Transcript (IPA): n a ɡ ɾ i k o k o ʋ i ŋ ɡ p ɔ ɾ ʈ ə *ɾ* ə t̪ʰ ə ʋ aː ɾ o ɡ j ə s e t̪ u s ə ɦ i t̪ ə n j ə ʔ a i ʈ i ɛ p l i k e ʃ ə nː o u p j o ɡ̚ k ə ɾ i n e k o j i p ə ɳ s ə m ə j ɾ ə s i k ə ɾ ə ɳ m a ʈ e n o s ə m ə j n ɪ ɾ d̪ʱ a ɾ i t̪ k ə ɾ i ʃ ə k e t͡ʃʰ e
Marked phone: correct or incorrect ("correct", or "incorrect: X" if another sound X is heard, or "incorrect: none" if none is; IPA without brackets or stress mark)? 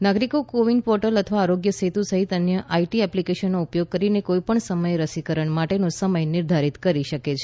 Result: incorrect: l